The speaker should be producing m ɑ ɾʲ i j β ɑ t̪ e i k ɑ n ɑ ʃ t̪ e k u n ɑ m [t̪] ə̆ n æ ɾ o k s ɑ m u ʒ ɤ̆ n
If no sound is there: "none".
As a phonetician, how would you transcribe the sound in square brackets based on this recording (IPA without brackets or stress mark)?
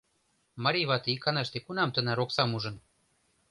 t̪